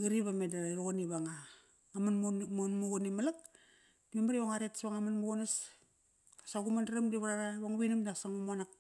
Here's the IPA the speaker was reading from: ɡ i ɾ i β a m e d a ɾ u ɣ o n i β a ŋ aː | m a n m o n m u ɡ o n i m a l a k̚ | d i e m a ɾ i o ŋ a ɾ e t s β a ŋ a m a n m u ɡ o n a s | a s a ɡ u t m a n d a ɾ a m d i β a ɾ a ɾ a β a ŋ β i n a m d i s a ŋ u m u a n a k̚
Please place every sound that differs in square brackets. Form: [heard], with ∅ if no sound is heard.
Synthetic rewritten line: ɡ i ɾ i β a m e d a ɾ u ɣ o n i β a ŋ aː | m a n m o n m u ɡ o n i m a l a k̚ | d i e m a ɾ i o ŋ a ɾ e t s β a ŋ a m a n m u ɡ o n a s | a s a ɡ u [∅] m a n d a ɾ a m d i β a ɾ a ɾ a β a ŋ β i n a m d [a] s a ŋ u m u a n a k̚